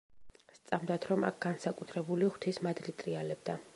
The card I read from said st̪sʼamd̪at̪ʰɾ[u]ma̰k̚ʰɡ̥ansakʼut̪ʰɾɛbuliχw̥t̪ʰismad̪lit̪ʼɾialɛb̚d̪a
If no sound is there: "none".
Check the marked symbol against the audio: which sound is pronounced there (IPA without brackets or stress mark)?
ɔ